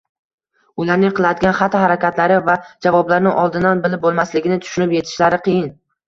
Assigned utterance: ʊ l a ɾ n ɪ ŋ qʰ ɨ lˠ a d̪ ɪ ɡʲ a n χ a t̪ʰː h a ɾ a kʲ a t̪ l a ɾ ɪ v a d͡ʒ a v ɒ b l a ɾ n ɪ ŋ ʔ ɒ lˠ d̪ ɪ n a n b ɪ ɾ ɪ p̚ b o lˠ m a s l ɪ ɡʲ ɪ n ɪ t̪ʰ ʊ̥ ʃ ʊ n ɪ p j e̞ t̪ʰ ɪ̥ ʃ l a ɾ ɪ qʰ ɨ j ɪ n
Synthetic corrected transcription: ʊ l a ɾ n ɪ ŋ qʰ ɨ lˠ a d̪ ɪ ɡʲ a n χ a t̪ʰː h a ɾ a kʲ a t̪ l a ɾ ɪ v a d͡ʒ a v ɒ b l a ɾ n ɪ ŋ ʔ ɒ lˠ d̪ ɪ n a n b ɪ l ɪ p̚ b o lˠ m a s l ɪ ɡʲ ɪ n ɪ t̪ʰ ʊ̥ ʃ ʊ n ɪ p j e̞ t̪ʰ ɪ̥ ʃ l a ɾ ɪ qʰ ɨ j ɪ n